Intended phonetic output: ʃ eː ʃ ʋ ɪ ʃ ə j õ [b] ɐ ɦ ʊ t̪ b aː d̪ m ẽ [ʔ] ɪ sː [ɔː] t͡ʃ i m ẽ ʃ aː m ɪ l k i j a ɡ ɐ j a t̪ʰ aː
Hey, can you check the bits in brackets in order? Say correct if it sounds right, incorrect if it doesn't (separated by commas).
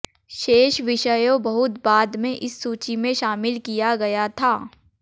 correct, correct, incorrect